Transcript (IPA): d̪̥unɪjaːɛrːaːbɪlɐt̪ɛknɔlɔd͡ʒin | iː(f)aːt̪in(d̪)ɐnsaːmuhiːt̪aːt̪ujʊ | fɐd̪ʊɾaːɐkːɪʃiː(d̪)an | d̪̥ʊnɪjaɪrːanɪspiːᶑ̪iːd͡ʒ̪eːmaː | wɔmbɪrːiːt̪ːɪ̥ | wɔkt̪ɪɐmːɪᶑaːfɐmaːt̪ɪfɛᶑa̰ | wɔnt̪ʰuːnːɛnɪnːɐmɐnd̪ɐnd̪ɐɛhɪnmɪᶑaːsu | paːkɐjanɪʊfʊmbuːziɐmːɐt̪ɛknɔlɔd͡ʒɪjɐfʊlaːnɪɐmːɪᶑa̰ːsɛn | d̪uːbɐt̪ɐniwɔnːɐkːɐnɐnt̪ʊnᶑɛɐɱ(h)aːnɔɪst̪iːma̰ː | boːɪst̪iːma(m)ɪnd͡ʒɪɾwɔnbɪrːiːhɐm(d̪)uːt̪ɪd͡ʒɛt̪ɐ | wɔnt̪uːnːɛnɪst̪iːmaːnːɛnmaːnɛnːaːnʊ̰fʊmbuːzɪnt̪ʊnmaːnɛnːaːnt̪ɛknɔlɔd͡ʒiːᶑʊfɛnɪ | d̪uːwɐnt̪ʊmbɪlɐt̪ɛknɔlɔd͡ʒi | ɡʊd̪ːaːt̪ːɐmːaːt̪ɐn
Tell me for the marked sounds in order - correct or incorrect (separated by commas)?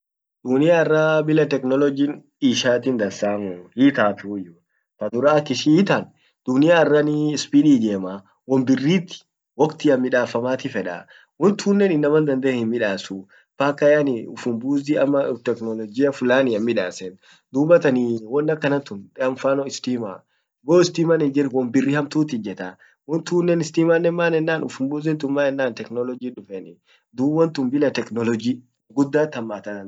incorrect, correct, incorrect, incorrect, incorrect, incorrect